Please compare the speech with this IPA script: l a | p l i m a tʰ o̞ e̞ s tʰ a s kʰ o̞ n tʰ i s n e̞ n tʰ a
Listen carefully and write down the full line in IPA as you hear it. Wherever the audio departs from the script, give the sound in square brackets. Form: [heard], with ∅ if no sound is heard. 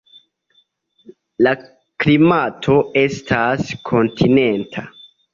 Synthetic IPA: l a | [k] l i m a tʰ o̞ e̞ s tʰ a s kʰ o̞ n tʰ i [∅] n e̞ n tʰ a